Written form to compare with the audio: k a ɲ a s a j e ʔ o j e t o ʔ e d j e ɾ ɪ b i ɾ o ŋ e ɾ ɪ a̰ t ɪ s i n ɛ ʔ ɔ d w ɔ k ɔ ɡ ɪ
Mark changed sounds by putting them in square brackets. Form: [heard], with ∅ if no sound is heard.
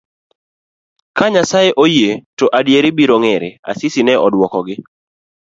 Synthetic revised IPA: k a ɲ a s a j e ʔ o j e t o ʔ [a] d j e ɾ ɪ b i ɾ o ŋ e ɾ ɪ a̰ [s] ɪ s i n ɛ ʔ ɔ d w ɔ k ɔ ɡ ɪ